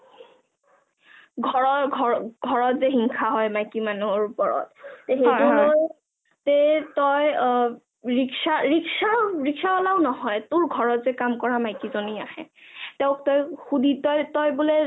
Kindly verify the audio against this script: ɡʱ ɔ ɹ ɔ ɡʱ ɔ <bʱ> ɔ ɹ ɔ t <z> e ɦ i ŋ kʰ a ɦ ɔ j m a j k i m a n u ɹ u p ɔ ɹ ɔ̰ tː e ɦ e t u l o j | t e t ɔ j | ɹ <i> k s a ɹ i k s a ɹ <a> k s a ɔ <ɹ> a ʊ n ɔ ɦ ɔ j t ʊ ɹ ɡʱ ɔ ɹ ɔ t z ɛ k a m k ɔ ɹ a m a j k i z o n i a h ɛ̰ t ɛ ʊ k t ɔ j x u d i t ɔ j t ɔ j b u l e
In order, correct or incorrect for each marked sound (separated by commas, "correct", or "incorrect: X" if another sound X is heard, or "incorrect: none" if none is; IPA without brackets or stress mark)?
incorrect: ɡʱ, correct, correct, incorrect: i, incorrect: l